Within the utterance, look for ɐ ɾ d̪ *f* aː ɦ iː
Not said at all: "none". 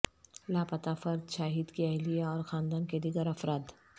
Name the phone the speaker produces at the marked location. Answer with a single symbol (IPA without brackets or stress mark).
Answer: ʃ